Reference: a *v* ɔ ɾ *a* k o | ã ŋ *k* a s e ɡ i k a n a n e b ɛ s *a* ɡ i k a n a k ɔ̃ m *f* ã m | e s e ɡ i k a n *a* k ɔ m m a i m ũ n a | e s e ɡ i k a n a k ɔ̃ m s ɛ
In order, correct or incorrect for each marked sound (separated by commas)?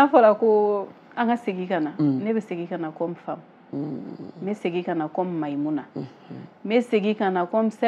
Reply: incorrect, correct, correct, incorrect, correct, correct